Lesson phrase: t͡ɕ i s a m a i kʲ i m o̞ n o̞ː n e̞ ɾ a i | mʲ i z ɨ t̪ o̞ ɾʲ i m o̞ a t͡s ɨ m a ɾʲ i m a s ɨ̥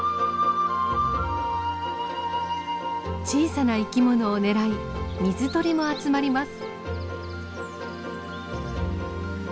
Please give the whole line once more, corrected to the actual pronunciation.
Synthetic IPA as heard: t͡ɕ iː s a n a i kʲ i m o̞ n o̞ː n e̞ ɾ a i | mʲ i z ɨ t̪ o̞ ɾʲ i m o̞ a t͡s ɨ m a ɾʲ i m a s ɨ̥

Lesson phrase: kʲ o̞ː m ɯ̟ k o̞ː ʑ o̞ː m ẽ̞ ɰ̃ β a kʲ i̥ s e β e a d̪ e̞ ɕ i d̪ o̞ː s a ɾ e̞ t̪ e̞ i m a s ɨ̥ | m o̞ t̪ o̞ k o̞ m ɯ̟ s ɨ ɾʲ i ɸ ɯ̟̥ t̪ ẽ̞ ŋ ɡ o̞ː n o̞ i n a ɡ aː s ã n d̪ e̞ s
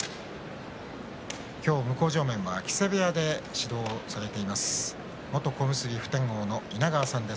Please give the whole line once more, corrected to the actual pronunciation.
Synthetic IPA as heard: kʲ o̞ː m ɯ̟ k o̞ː ʑ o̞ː m ẽ̞ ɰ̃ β a kʲ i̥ s e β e a d̪ e̞ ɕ i d̪ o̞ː s a ɾ e̞ t̪ e̞ i m a s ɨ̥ | m o̞ t̪ o̞ k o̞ m ɯ̟ s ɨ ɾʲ i ɸ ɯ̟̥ t̪ ẽ̞ ŋ ɡ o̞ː n o̞ i n a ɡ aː s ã n d̪ e̞ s

